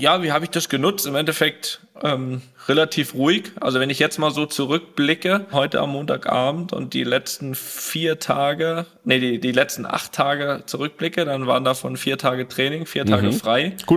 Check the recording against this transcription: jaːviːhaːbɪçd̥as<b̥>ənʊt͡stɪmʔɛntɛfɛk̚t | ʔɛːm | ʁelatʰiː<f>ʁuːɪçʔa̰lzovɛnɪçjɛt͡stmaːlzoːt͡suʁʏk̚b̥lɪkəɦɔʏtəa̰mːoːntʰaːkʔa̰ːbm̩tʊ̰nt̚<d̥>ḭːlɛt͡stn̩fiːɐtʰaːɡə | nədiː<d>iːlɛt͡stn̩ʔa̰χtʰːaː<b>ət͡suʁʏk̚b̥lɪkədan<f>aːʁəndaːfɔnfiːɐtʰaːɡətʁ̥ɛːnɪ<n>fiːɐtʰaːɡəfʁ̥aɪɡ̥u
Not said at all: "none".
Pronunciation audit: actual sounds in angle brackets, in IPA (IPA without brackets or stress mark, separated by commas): ɡ̥, f, d̥, d, ɡ, v, ŋ